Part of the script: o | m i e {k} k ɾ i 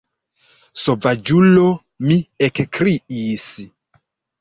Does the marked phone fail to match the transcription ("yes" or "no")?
no